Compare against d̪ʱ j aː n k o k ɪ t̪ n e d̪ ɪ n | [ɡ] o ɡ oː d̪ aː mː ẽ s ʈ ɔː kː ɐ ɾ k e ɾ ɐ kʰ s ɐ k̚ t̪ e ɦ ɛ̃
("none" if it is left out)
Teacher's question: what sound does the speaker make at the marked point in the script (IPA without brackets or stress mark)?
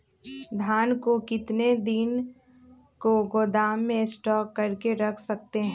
k